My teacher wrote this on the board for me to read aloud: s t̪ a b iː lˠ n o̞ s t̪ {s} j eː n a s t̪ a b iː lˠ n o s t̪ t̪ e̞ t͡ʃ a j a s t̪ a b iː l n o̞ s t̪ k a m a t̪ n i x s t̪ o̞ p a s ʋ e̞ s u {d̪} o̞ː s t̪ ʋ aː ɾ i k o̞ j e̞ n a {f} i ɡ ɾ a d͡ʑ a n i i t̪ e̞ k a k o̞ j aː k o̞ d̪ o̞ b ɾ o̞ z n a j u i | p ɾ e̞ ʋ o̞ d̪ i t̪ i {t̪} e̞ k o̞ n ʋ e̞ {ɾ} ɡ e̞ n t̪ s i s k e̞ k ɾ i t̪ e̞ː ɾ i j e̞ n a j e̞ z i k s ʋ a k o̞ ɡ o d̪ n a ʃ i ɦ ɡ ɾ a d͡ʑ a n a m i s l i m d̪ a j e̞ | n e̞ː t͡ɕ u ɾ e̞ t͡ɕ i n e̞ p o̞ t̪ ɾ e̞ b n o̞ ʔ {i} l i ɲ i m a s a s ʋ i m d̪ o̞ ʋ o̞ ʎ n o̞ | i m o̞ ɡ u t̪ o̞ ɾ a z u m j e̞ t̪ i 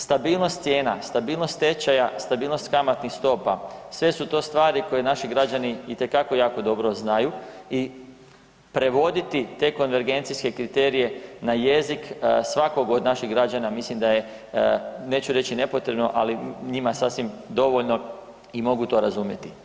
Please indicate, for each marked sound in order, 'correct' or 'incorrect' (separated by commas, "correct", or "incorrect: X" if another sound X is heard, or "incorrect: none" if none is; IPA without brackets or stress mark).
correct, incorrect: t̪, incorrect: ʃ, correct, correct, incorrect: a